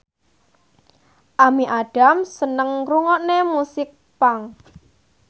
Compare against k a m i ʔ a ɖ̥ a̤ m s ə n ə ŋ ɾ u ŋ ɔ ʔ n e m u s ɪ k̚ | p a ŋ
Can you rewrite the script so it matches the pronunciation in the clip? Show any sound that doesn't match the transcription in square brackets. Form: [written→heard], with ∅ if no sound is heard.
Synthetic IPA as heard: [k→ʔ] a m i ʔ a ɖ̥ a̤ m s ə n ə ŋ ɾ u ŋ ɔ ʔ n e m u s ɪ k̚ | p a ŋ

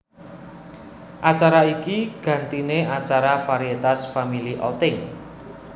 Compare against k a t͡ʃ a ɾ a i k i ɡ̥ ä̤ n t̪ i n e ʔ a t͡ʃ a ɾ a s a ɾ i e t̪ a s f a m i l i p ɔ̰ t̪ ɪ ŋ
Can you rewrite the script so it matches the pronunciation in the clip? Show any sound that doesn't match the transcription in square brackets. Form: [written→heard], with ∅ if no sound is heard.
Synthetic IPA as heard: [k→ʔ] a t͡ʃ a ɾ a i k i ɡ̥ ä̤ n t̪ i n e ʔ a t͡ʃ a ɾ a [s→f] a ɾ i e t̪ a s f a m i l i [p→ʔ] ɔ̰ t̪ ɪ ŋ

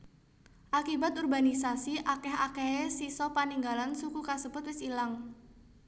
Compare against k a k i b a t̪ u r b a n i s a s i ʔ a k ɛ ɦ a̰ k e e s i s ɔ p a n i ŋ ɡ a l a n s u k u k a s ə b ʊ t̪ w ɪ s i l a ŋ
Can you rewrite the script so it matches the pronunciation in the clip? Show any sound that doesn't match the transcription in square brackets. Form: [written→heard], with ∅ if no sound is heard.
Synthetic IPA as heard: [k→ʔ] a k i b a t̪ u r b a n i s a s i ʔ a k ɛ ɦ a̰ k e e s i s ɔ p a n i ŋ ɡ a l a n s u k u k a s ə b ʊ t̪ w ɪ s i l a ŋ

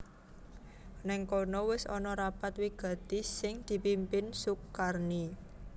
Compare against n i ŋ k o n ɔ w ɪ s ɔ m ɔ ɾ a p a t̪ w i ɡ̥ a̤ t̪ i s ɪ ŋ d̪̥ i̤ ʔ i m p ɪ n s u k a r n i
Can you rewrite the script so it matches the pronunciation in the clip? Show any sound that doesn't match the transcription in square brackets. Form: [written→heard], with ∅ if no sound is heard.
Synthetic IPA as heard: n [i→ɛ] ŋ k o n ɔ w ɪ s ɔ [m→n] ɔ ɾ a p a t̪ w i ɡ̥ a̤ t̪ i s ɪ ŋ d̪̥ i̤ [ʔ→p] i m p ɪ n s u k a r n i

